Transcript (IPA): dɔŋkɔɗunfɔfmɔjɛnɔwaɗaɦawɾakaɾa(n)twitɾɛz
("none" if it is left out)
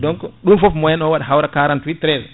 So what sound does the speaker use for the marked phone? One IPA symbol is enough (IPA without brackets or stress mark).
n